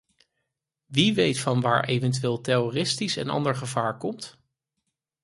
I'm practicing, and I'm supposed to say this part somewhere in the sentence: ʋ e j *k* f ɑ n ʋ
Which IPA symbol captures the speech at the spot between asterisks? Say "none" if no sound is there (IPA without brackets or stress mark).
t